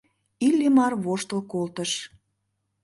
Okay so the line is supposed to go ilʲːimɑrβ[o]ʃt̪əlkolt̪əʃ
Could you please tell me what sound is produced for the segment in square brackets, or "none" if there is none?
o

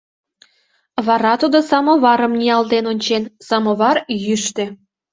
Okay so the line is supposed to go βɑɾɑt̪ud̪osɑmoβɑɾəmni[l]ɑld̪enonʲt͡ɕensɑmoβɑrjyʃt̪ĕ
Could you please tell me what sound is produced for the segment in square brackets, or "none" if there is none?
none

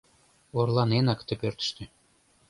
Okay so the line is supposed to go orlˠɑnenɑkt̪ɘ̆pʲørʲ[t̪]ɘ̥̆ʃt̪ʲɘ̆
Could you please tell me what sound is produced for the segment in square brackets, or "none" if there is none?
t̪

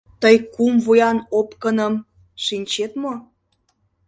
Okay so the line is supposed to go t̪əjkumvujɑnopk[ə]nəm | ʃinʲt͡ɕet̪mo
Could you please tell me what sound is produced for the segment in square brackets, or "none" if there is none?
ə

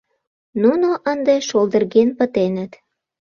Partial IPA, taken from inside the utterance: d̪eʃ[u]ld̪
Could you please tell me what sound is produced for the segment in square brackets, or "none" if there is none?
o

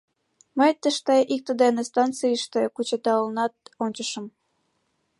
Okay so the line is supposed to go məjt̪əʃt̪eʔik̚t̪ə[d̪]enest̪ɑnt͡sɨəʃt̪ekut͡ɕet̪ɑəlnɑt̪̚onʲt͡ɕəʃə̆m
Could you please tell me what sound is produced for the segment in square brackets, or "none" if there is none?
d̪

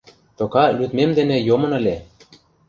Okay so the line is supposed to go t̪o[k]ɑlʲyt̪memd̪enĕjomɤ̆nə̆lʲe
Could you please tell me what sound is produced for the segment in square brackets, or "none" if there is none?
k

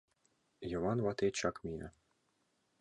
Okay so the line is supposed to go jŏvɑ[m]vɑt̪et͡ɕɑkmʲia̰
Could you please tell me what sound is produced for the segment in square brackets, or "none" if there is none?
n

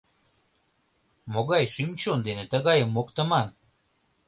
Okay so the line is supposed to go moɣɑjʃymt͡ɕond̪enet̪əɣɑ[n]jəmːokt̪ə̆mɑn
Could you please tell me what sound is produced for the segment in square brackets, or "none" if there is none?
none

